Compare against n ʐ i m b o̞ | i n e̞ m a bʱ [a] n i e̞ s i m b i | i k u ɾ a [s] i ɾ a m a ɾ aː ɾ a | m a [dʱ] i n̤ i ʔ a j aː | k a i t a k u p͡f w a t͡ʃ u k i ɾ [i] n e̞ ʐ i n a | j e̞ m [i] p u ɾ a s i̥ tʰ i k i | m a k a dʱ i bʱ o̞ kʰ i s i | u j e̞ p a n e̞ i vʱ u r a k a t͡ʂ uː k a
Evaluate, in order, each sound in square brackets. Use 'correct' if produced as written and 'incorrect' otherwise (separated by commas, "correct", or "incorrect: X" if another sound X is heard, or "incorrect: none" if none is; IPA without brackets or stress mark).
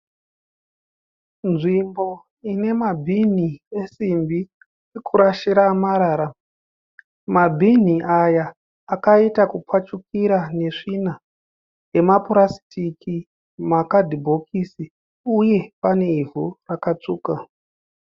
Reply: incorrect: i, incorrect: ʃ, incorrect: bʱ, incorrect: a, incorrect: a